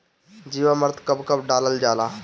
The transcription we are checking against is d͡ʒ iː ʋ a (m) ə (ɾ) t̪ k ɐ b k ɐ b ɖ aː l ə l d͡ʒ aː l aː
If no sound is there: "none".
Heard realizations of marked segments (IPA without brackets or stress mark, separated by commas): m, ɾ